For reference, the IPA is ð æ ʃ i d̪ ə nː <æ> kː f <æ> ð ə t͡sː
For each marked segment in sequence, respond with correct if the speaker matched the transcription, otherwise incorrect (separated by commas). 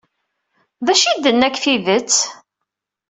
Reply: correct, incorrect